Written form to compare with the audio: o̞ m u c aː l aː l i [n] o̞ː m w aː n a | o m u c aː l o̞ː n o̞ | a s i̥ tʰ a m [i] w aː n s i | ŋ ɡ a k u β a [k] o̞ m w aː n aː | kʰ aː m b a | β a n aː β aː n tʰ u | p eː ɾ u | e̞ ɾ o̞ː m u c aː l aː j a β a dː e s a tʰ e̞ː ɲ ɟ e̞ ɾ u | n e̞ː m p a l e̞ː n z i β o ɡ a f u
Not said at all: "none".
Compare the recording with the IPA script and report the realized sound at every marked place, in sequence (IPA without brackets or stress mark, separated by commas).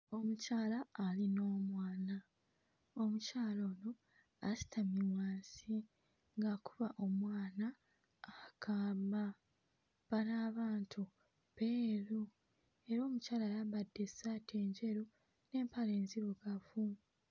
n, i, ʔ